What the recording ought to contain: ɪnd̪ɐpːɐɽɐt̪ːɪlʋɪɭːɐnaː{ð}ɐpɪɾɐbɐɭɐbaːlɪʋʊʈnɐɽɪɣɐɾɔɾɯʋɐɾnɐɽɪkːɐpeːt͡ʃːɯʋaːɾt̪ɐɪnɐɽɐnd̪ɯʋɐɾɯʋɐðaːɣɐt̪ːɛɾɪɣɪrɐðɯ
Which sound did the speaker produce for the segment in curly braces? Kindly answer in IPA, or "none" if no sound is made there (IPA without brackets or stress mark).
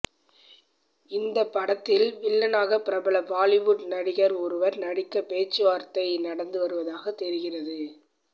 ɣ